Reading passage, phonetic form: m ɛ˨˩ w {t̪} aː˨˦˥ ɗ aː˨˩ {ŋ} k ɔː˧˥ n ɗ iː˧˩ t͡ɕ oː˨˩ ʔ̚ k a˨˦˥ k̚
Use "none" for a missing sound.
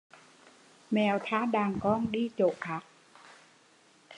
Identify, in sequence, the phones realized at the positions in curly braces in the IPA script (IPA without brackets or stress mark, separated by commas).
t̪ʰ, ŋ